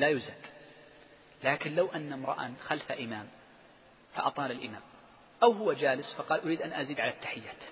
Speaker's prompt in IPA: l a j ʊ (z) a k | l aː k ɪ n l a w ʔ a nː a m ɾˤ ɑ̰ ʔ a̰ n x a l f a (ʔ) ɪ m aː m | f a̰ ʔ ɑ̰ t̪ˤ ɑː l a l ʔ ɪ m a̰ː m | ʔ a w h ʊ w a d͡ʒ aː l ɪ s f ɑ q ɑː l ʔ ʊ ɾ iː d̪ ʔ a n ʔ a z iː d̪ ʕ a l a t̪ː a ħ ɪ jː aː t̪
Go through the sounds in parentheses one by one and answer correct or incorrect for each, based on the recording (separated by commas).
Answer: correct, correct